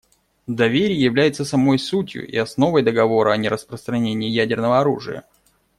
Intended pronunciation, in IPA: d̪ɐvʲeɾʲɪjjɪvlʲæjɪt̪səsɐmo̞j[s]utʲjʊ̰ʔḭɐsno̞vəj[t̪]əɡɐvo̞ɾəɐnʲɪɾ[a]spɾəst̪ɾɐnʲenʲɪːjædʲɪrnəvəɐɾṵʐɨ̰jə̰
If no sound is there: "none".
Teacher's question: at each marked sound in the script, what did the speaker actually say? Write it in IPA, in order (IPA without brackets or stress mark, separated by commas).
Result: s, d̪, ə